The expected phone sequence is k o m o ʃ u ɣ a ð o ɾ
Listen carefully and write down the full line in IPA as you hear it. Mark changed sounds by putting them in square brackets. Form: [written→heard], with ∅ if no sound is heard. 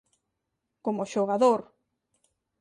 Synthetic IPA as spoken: k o m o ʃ [u→o] ɣ a ð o ɾ